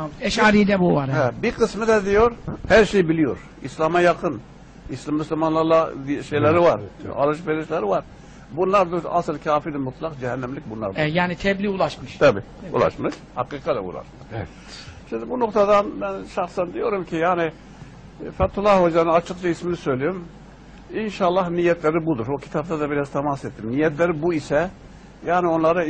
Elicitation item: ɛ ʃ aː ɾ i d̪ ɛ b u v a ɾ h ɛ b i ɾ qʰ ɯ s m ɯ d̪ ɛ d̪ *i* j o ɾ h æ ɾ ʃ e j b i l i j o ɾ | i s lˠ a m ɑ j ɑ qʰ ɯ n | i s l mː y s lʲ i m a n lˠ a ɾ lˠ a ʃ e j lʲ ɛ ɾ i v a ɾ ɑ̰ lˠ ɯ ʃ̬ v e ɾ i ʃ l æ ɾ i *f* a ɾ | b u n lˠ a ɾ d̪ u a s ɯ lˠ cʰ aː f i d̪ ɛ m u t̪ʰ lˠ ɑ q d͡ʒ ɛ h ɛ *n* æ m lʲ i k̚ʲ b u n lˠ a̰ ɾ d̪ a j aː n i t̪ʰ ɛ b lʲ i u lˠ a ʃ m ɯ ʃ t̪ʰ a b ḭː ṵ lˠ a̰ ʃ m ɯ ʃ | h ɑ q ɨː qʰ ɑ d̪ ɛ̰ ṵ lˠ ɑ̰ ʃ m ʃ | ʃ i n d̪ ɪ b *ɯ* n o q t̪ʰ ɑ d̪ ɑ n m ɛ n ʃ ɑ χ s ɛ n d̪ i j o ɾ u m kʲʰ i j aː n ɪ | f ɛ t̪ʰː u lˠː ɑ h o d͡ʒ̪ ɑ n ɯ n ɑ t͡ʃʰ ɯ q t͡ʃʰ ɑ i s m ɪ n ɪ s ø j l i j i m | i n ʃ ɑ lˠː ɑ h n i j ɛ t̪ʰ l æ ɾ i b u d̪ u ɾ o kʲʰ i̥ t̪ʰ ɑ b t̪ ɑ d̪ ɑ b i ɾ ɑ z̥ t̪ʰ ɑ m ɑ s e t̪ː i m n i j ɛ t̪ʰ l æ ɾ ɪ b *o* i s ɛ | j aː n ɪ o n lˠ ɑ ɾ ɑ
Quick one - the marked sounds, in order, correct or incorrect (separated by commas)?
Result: correct, incorrect, incorrect, incorrect, incorrect